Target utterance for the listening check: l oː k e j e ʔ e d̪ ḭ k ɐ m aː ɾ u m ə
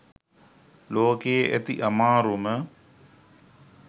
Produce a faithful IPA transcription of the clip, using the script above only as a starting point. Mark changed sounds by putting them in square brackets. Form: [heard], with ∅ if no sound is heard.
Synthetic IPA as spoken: l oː k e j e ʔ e [t̪] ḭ [ʔ] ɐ m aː ɾ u m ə